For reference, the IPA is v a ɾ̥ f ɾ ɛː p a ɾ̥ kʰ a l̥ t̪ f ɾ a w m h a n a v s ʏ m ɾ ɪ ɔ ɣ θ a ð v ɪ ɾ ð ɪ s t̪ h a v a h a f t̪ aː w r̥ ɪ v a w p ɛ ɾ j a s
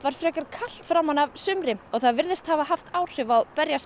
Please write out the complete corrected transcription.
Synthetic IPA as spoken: v a ɾ̥ f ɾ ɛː k a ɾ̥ kʰ a l̥ t̪ f ɾ a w m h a n a v s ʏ m ɾ ɪ ɔ ɣ θ a ð v ɪ ɾ ð ɪ s t̪ h a v a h a f t̪ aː w r̥ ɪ v a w p ɛ ɾ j a s